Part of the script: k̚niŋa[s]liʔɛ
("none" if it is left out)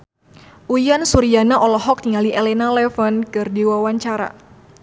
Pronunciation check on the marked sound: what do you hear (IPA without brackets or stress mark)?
none